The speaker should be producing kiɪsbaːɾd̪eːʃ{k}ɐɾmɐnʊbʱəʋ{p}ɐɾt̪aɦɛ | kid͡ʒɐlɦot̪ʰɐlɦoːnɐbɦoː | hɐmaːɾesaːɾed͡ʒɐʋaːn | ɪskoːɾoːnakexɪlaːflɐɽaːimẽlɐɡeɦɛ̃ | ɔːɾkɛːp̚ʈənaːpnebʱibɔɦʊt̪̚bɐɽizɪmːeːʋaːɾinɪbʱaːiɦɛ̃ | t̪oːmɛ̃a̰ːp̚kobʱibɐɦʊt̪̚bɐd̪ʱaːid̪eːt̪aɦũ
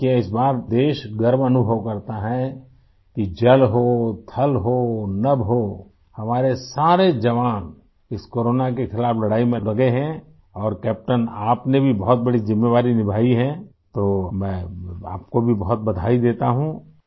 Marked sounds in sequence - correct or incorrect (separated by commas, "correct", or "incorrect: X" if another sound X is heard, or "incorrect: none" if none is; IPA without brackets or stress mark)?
incorrect: ɡ, incorrect: k